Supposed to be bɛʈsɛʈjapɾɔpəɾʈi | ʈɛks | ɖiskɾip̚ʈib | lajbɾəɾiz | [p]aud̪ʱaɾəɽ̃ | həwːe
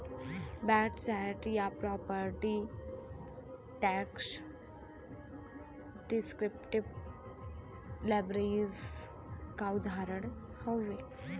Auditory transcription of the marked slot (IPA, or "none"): k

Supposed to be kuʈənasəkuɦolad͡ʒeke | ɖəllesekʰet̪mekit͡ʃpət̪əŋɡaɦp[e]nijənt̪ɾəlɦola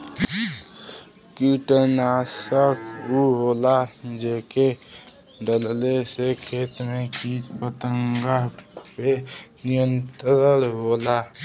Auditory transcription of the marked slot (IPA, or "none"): e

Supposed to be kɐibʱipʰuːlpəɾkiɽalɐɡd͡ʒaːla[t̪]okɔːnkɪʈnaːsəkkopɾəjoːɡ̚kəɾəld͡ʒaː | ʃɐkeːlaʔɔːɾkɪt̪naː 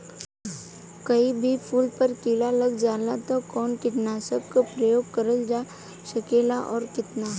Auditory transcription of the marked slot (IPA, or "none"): t̪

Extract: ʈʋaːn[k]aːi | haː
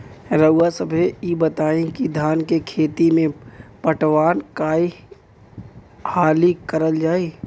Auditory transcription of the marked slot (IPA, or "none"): k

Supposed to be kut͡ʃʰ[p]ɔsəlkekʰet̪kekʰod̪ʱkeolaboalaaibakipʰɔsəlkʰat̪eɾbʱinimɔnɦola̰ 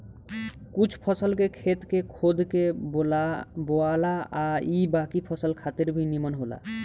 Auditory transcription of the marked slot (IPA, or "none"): pʰ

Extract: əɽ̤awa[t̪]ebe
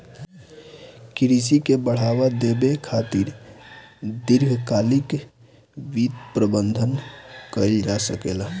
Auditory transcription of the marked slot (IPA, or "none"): d̪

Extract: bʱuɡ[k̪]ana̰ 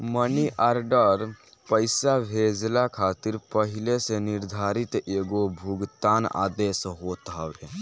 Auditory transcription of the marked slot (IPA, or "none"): t̪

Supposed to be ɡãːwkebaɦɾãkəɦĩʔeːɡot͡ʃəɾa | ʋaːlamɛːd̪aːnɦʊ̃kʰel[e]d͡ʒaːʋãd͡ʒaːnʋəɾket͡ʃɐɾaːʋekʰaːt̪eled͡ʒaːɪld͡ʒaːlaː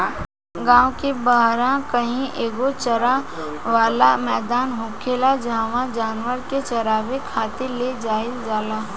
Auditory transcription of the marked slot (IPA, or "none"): a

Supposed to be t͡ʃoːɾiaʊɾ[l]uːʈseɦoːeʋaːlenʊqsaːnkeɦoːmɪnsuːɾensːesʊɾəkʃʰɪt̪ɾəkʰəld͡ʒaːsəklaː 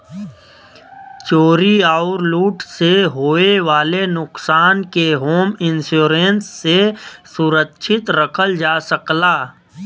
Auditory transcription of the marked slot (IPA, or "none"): l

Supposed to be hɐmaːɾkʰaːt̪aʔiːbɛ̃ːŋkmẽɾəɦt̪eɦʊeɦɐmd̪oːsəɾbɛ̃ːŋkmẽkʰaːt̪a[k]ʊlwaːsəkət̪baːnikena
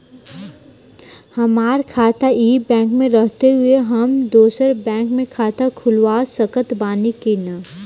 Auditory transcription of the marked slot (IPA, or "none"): kʰ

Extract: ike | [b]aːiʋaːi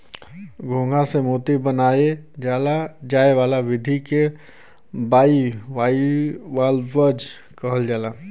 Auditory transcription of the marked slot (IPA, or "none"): b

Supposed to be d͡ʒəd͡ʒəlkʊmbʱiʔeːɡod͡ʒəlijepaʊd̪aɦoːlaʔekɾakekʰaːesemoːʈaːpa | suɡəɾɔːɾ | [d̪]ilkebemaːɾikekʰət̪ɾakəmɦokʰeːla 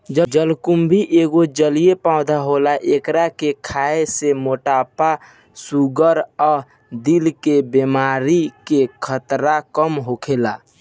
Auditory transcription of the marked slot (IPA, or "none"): d̪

